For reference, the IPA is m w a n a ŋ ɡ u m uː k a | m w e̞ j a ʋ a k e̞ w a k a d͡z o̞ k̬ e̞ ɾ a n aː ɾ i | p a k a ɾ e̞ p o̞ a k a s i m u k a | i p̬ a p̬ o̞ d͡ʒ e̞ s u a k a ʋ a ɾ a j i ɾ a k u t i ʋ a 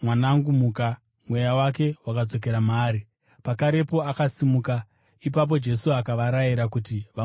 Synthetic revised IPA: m w a n a ŋ ɡ u m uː k a | m w e̞ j a w a k e̞ w a k a d͡z o̞ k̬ e̞ ɾ a m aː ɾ i | p a k a ɾ e̞ p o̞ a k a s i m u k a | i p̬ a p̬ o̞ d͡ʒ e̞ s u a k a ʋ a ɾ a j i ɾ a k u t i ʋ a